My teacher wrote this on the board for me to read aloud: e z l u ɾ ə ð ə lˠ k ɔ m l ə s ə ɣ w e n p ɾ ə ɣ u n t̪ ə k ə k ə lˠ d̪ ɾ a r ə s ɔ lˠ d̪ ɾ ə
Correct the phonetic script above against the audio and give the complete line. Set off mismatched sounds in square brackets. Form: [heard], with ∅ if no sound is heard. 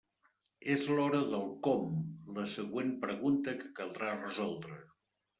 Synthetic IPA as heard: e z l [ɔ] ɾ ə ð ə lˠ k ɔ m l ə s ə ɣ w e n p ɾ ə ɣ u n t̪ ə k ə k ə lˠ d̪ ɾ a r ə [z] ɔ lˠ d̪ ɾ ə